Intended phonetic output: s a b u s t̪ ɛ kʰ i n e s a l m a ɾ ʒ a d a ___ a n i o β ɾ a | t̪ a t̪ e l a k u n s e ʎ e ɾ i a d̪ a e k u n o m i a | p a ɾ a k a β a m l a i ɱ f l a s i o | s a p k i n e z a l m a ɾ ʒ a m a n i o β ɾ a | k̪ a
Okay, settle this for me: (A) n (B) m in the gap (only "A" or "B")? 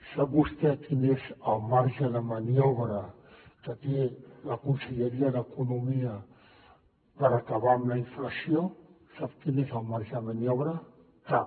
B